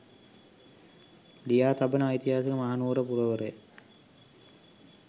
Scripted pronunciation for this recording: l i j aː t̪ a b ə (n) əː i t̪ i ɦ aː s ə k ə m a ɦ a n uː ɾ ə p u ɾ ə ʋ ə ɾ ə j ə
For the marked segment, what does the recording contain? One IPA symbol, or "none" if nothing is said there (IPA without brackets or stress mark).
n